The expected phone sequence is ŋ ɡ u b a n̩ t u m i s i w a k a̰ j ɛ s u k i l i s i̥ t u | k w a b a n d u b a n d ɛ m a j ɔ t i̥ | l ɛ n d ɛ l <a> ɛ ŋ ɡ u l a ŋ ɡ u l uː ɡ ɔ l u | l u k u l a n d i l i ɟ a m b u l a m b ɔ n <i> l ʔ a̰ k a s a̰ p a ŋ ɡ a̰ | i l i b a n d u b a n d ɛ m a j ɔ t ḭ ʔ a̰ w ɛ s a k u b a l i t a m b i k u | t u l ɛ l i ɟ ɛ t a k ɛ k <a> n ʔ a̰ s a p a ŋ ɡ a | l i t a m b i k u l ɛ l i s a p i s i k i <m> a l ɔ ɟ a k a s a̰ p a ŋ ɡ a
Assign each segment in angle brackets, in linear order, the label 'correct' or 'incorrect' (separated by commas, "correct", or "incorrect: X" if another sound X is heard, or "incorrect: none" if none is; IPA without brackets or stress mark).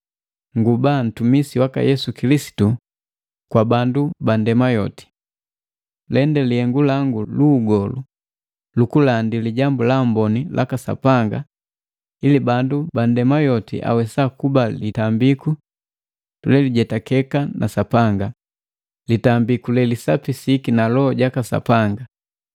incorrect: i, correct, correct, incorrect: n